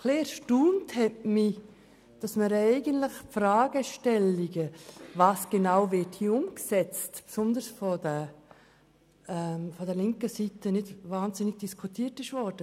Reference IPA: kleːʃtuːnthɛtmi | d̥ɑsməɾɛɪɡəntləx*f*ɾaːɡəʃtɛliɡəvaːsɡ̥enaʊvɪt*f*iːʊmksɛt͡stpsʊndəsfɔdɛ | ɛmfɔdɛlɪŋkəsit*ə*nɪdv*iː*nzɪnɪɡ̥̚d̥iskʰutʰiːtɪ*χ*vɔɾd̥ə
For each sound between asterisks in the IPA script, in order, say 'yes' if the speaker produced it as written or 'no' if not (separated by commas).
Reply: yes, no, yes, no, no